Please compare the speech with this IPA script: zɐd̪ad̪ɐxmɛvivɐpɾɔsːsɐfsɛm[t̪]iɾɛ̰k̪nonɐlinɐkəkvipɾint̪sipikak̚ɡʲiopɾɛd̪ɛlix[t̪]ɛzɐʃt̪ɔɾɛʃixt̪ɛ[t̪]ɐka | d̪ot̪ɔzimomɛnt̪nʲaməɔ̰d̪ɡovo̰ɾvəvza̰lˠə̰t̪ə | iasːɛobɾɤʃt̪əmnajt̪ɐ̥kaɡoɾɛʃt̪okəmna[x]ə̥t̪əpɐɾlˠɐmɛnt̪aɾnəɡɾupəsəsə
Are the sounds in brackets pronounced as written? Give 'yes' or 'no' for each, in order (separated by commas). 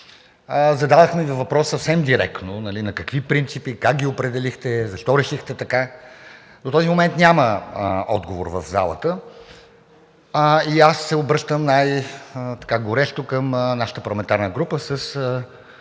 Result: no, yes, yes, no